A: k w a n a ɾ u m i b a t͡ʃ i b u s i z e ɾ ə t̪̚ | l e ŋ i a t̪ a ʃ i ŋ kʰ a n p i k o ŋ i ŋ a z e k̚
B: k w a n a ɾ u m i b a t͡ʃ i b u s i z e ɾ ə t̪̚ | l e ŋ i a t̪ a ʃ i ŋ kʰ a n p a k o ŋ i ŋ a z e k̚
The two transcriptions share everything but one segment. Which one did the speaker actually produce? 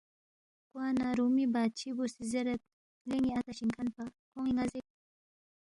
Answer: B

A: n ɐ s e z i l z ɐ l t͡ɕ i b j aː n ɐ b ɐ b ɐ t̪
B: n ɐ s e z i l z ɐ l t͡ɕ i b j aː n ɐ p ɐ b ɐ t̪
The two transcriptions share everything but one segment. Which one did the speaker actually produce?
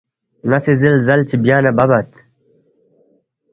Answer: A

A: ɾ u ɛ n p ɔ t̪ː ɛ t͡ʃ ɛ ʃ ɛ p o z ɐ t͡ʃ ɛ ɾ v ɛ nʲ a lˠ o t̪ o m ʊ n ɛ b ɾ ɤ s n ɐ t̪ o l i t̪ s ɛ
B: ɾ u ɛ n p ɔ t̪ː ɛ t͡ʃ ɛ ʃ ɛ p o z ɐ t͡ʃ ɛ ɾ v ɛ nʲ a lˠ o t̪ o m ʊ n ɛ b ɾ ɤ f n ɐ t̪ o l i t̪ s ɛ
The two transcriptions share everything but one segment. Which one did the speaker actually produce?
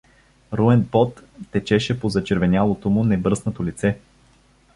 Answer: A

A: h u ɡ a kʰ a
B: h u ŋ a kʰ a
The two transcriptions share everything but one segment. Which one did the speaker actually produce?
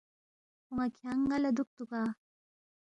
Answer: B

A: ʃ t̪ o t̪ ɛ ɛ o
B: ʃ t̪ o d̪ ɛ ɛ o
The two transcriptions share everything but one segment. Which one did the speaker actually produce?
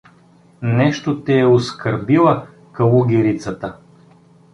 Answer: A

